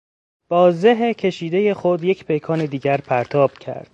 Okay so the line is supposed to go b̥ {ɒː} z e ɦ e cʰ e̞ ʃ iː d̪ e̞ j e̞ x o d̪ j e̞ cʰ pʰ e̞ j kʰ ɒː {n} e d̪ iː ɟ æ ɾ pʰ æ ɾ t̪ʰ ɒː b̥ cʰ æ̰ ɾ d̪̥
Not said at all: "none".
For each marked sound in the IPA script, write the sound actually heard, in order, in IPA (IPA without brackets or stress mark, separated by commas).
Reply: ɒː, n